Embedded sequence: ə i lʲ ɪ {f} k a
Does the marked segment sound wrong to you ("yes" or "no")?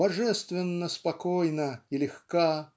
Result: yes